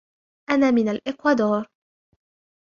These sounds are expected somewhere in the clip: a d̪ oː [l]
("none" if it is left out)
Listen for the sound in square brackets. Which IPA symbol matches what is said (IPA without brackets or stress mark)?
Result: ɾ